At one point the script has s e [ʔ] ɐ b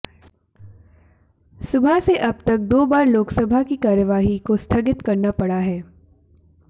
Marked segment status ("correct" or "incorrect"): correct